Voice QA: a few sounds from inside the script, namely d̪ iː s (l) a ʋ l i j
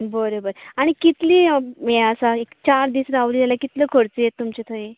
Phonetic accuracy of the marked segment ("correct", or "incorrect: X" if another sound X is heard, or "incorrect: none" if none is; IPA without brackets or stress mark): incorrect: ɾ